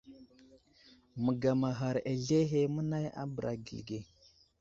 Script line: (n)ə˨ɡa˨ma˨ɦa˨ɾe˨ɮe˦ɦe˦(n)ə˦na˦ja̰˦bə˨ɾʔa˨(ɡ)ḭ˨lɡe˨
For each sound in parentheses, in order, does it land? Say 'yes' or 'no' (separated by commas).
no, no, yes